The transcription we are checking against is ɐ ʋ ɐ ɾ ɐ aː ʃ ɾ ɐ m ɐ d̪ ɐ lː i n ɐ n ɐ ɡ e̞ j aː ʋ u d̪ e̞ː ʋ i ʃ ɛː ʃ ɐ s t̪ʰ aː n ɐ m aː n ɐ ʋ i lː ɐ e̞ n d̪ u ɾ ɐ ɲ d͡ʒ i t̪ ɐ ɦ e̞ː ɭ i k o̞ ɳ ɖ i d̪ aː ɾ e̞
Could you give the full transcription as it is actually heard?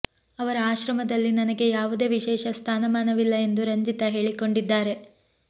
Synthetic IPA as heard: ɐ ʋ ɐ ɾ ɐ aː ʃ ɾ ɐ m ɐ d̪ ɐ lː i n ɐ n ɐ ɡ e̞ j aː ʋ u d̪ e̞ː ʋ i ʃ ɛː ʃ ɐ s t̪ʰ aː n ɐ m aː n ɐ ʋ i lː ɐ e̞ n d̪ u ɾ ɐ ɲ d͡ʒ i t̪ ɐ ɦ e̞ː ɭ i k o̞ ɳ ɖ i d̪ː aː ɾ e̞